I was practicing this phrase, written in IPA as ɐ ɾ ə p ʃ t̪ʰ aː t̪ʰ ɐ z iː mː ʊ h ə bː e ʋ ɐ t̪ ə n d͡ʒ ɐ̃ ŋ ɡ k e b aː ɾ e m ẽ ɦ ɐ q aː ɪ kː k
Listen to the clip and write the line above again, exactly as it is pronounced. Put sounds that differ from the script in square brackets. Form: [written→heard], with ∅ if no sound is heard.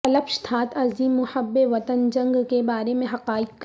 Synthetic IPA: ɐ [ɾ→l] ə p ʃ t̪ʰ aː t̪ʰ ɐ z iː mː ʊ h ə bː e ʋ ɐ t̪ ə n d͡ʒ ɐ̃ ŋ ɡ k e b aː ɾ e m ẽ ɦ ɐ q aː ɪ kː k